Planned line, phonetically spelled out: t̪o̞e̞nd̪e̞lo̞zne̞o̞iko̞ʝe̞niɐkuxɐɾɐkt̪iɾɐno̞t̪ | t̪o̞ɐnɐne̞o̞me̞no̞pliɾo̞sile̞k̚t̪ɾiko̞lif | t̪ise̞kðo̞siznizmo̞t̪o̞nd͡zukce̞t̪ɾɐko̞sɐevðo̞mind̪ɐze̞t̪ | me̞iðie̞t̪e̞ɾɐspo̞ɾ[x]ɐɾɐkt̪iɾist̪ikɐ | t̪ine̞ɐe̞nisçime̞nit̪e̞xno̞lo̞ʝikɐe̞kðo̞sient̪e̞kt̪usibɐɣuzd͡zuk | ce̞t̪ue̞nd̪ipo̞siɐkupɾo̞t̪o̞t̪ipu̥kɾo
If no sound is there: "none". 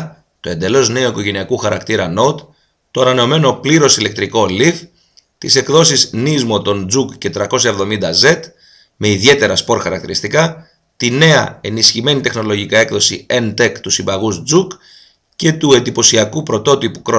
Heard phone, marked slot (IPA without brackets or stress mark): x